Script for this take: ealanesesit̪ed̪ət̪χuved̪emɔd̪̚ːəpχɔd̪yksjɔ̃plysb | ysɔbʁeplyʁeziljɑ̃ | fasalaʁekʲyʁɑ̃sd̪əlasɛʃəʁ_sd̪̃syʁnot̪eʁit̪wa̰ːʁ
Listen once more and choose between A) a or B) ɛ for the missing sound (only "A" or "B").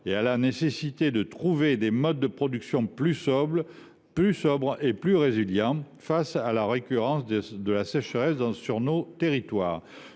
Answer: B